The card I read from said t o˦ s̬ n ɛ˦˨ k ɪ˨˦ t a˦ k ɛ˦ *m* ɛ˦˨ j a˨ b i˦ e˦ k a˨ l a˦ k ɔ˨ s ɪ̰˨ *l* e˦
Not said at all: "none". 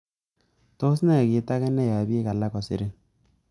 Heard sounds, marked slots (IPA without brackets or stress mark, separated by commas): n, ɾ